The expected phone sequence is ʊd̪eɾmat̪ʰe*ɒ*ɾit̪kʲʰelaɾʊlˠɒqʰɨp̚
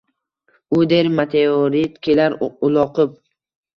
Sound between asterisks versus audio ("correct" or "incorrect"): incorrect